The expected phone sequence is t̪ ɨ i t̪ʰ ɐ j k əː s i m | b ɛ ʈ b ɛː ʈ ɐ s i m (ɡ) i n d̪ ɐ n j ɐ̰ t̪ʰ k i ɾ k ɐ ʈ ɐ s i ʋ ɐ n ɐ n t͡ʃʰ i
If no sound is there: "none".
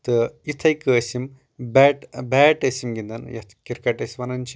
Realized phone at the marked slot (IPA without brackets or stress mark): ɡ